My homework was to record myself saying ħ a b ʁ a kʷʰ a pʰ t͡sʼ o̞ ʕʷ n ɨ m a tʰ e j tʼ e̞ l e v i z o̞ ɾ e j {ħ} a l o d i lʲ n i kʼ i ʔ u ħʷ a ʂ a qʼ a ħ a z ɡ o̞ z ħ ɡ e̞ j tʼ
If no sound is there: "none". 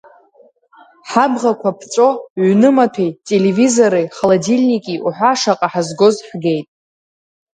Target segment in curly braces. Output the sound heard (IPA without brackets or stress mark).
χ